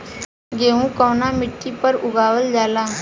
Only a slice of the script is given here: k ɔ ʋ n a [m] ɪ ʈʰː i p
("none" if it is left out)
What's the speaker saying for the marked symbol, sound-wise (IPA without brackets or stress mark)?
m